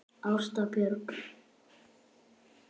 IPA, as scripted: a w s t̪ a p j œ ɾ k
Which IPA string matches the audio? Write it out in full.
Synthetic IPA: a w s t̪ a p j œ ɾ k